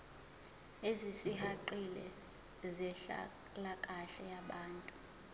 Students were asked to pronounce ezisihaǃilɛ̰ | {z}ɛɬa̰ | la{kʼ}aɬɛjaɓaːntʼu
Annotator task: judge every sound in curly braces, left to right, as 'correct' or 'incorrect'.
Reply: correct, correct

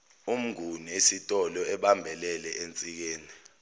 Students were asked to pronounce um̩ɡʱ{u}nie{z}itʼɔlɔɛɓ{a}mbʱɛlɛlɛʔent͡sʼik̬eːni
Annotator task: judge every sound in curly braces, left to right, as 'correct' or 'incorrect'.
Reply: correct, incorrect, correct

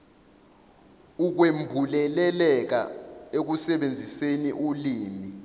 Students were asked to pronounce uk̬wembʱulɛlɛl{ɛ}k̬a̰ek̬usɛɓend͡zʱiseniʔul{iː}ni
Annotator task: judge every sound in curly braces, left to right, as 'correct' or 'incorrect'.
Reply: correct, correct

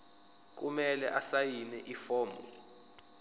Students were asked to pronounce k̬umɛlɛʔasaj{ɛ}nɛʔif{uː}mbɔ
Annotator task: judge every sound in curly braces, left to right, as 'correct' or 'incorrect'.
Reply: incorrect, incorrect

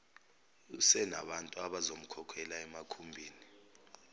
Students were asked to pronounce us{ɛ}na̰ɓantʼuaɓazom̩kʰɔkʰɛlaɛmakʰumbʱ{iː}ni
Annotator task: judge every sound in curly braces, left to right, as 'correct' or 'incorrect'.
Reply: correct, correct

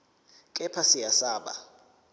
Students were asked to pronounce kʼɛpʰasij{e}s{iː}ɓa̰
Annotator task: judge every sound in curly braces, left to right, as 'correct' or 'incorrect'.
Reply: incorrect, incorrect

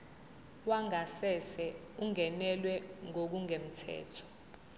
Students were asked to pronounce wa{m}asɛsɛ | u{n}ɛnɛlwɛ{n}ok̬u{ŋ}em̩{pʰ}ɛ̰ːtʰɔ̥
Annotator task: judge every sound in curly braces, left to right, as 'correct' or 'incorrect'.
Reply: incorrect, incorrect, incorrect, correct, incorrect

